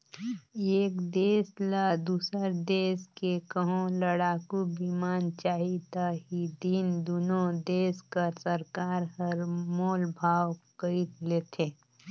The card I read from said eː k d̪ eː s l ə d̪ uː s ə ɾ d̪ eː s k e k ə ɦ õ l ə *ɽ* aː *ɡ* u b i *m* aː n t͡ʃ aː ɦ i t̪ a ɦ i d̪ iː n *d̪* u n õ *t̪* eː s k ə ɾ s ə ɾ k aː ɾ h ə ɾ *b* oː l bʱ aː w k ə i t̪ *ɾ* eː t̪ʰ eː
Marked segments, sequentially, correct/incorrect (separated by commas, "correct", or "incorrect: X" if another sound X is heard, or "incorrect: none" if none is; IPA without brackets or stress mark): correct, incorrect: k, correct, correct, incorrect: d̪, incorrect: m, incorrect: l